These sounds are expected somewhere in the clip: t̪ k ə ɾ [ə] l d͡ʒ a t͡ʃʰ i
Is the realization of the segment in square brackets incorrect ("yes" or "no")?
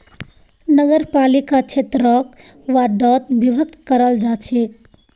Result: no